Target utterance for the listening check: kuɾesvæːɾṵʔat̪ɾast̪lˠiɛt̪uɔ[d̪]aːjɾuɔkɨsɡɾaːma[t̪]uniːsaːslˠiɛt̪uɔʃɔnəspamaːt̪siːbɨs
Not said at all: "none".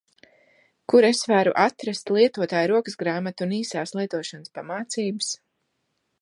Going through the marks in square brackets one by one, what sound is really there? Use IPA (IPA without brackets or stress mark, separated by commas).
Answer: t̪, t̪